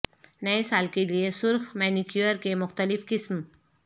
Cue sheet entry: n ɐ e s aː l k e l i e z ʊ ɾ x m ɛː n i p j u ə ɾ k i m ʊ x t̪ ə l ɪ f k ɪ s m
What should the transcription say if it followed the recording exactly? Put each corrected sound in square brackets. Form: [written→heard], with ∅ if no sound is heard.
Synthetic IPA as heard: n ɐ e s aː l k e l i e [z→s] ʊ ɾ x m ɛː n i [p→k] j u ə ɾ k [i→e] m ʊ x t̪ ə l ɪ f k ɪ s m